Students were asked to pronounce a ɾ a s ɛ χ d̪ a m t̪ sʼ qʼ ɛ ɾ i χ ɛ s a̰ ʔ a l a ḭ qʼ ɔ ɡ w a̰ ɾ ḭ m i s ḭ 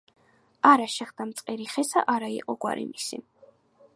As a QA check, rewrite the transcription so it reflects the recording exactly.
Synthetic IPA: a ɾ a ʃ ɛ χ d̪ a m t̪ sʼ qʼ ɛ ɾ i χ ɛ s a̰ ʔ a ɾ a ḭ qʼ ɔ ɡ w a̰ ɾ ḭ m i s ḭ